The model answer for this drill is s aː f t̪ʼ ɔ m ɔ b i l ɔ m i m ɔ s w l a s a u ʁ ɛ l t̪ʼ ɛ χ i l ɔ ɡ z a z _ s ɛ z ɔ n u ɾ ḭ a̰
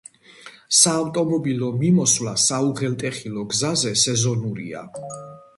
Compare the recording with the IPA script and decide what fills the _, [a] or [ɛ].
ɛ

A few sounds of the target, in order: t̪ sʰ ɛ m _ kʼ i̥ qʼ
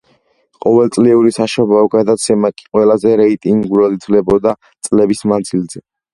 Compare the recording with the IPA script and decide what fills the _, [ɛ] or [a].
a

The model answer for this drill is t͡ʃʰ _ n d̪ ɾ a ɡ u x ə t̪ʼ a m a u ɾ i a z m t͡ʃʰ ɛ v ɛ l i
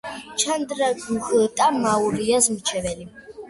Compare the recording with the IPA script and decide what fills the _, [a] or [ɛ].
a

